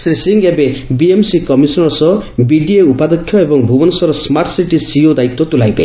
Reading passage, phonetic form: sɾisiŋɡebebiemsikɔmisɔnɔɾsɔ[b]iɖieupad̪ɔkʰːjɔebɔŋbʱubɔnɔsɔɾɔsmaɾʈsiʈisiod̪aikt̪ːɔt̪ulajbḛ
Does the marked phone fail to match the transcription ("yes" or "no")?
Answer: no